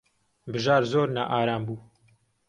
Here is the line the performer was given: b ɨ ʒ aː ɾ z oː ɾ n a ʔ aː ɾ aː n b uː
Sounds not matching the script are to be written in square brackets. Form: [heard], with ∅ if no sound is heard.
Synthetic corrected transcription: b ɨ ʒ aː ɾ z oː ɾ n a ʔ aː ɾ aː [m] b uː